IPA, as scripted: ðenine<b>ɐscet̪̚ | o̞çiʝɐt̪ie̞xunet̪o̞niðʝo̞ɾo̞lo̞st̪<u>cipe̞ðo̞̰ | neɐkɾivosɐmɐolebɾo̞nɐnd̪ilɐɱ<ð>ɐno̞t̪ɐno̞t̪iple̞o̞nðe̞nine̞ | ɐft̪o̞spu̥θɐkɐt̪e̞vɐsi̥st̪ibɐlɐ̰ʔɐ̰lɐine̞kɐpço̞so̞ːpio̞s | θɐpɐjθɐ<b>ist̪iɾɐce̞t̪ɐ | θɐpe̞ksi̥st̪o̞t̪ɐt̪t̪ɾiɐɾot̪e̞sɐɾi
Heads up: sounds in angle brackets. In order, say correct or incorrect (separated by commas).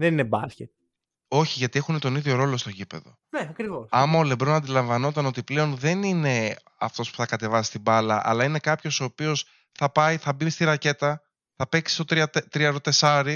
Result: correct, incorrect, incorrect, correct